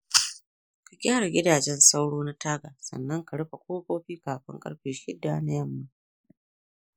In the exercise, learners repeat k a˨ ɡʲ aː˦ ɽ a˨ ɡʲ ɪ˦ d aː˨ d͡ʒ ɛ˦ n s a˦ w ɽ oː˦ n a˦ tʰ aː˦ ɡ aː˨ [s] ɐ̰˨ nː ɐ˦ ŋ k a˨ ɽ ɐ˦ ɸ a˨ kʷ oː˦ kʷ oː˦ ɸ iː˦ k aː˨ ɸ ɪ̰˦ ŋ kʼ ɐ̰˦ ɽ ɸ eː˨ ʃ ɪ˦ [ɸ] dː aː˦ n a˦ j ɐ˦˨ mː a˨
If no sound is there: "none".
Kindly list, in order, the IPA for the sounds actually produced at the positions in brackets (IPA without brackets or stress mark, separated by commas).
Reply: s, none